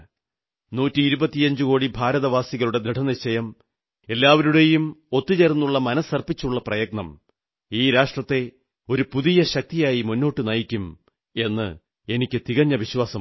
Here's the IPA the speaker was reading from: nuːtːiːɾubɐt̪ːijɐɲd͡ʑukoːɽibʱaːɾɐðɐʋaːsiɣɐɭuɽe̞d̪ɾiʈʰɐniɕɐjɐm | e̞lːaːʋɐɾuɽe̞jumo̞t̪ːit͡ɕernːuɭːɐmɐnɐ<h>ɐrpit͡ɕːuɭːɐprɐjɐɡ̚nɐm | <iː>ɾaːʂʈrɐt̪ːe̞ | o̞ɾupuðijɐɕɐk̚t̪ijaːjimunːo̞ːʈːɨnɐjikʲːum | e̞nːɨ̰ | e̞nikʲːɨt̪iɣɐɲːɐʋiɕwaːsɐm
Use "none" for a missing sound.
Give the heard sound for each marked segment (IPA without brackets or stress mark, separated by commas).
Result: s, iː